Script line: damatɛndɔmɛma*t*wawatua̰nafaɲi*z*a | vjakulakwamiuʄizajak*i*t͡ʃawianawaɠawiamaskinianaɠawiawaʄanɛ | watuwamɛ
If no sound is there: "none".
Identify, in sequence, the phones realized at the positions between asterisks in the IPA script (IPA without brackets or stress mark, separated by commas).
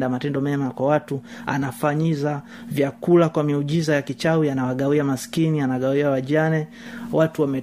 k, z, i